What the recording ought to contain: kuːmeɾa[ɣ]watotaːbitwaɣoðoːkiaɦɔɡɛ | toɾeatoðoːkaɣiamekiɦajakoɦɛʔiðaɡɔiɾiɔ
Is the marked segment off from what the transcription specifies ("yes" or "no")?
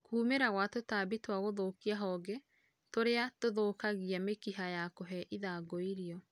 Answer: no